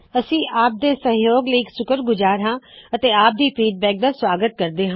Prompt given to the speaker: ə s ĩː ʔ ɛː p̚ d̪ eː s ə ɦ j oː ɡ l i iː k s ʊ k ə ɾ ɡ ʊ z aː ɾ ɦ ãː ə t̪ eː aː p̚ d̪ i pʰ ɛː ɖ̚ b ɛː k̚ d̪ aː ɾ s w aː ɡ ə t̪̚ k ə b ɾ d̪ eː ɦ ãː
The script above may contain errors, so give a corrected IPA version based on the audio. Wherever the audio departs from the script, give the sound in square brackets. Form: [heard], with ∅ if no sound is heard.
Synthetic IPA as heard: ə s ĩː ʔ [aː] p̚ d̪ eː s ə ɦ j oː ɡ l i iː k s ʊ k ə ɾ ɡ ʊ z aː ɾ ɦ ãː ə t̪ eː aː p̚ d̪ [iː] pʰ [iː] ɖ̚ b ɛː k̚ d̪ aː [∅] s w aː ɡ ə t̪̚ k ə [∅] ɾ d̪ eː ɦ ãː